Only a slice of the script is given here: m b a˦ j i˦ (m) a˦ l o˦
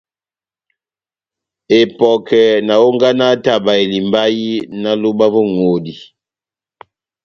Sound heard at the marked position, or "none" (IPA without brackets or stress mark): n